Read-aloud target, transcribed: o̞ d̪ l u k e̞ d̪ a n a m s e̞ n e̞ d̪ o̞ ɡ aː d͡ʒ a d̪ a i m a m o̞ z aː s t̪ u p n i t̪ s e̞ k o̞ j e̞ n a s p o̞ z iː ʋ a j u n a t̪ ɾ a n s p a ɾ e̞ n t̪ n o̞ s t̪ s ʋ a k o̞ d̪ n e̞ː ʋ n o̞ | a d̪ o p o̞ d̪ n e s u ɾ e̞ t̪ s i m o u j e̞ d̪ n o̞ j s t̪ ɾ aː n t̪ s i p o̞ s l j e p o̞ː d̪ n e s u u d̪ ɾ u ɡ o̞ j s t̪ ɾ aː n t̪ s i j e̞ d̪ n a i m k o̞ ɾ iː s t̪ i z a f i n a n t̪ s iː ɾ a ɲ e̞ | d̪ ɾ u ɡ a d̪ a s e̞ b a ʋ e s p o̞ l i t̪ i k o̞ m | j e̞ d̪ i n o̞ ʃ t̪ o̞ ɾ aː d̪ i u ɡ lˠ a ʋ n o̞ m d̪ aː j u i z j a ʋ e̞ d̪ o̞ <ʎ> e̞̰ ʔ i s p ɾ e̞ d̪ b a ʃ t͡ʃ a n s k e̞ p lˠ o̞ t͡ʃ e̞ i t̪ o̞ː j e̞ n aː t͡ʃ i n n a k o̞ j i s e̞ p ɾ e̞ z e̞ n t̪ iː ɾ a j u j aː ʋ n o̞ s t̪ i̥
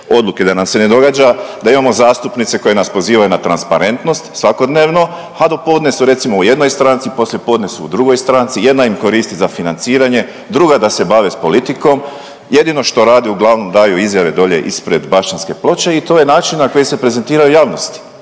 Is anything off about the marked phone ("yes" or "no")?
no